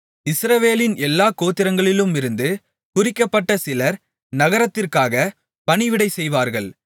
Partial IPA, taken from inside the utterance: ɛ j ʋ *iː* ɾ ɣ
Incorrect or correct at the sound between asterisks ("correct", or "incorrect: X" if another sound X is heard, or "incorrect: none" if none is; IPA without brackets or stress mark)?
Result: incorrect: aː